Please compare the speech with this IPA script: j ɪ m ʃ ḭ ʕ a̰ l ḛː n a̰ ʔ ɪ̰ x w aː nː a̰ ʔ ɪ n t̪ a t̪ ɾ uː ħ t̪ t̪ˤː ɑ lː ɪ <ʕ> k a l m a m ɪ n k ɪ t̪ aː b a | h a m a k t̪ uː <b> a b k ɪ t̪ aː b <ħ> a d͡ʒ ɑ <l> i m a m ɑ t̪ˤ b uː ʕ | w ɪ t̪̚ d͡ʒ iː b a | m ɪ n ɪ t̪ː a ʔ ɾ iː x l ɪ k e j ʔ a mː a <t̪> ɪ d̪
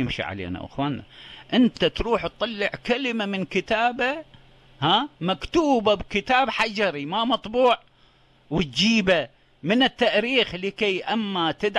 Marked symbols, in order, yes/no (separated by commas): yes, yes, yes, no, yes